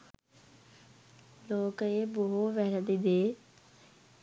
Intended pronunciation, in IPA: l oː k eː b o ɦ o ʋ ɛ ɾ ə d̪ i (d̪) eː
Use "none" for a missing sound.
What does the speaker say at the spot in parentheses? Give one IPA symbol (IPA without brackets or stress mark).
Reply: d̪